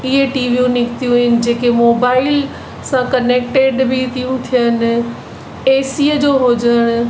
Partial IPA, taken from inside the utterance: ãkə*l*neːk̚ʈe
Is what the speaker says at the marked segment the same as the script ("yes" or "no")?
no